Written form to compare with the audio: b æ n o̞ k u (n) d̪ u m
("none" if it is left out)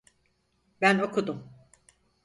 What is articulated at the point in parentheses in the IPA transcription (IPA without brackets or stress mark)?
none